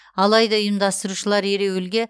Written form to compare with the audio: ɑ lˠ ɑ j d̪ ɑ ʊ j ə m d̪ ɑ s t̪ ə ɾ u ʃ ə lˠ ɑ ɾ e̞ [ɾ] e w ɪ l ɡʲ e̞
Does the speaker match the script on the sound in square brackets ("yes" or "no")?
yes